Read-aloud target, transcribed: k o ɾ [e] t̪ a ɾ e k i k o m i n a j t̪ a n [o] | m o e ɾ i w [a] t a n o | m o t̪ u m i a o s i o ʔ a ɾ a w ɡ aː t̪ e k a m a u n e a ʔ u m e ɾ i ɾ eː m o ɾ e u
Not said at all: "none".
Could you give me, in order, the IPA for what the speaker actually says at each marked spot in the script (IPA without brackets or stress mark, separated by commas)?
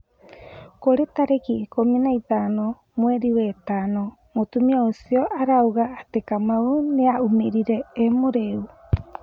e, o, e